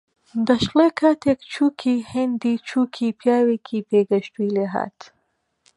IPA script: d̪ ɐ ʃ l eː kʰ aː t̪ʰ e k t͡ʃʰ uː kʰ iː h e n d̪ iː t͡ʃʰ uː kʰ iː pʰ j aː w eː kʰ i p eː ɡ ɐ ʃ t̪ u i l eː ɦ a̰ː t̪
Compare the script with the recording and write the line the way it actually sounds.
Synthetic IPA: d̪ ɐ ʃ l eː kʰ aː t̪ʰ e k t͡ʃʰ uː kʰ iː h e n d̪ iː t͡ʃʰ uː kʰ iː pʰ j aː w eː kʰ i p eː ɡ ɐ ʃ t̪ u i l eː ɦ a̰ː t̪